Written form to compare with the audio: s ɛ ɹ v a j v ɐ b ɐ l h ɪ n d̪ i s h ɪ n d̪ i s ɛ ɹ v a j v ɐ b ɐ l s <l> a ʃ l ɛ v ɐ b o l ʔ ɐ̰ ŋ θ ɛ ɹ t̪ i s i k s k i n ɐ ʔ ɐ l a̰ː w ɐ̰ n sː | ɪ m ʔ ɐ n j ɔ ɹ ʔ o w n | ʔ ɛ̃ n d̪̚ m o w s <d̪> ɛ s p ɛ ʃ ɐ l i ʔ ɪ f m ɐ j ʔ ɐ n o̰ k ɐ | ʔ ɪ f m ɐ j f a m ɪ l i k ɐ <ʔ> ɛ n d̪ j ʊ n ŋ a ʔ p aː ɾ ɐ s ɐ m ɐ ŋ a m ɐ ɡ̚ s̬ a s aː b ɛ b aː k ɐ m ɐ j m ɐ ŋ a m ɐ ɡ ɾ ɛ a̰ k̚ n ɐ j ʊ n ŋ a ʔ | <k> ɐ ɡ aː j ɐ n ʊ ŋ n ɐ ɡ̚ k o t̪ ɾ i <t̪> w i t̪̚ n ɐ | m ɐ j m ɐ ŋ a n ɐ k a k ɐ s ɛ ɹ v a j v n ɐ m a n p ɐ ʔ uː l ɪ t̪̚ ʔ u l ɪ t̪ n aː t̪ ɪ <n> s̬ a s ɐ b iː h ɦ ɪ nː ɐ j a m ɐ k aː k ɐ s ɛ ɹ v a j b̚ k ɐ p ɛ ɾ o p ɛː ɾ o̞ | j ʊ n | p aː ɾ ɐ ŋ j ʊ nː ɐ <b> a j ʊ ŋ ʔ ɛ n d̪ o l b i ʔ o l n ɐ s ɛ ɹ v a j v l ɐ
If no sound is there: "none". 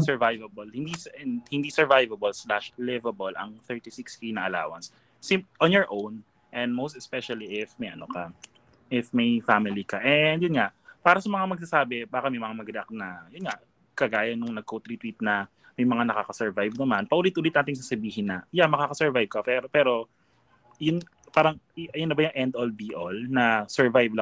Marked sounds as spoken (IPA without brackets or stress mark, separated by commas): l, t̪, ʔ, k, t̪, ŋ, b